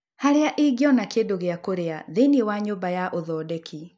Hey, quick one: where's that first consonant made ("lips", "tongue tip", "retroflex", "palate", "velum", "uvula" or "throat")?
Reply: throat